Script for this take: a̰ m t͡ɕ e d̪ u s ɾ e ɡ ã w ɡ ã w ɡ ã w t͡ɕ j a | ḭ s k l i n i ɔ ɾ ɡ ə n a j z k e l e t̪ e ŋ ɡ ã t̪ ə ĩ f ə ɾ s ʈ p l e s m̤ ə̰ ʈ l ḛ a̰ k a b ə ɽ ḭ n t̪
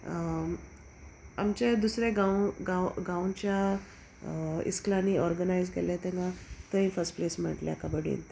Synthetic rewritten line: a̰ m t͡ɕ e d̪ u s ɾ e ɡ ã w ɡ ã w ɡ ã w t͡ɕ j a | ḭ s k l a n i ɔ ɾ ɡ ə n a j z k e l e t̪ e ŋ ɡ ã t̪ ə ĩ f ə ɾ s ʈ p l e s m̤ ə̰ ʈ l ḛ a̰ k a b ə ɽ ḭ n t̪